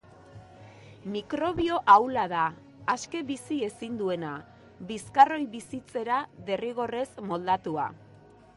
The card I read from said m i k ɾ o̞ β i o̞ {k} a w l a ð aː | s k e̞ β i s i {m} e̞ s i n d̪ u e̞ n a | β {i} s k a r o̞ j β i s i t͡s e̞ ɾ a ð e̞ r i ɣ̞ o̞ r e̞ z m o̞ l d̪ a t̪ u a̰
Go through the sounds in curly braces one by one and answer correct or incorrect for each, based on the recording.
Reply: incorrect: ʔ, incorrect: none, correct

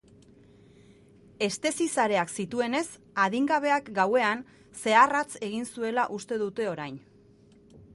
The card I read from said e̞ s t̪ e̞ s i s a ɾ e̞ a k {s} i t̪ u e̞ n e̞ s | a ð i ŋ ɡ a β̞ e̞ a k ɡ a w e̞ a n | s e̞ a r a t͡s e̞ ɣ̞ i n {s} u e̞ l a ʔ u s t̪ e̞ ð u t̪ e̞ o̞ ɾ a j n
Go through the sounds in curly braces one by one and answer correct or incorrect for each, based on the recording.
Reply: correct, correct

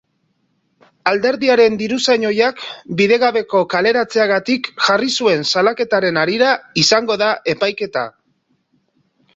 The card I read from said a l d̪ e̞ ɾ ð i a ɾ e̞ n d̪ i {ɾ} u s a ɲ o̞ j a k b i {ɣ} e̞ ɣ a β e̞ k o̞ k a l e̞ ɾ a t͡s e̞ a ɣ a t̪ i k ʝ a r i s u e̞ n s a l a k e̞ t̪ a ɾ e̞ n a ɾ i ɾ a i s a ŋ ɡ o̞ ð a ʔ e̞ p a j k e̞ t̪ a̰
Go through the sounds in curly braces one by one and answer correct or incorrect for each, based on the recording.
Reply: correct, incorrect: ð

